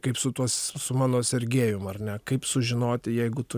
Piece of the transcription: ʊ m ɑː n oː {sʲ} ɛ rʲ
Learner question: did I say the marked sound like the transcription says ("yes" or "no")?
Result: yes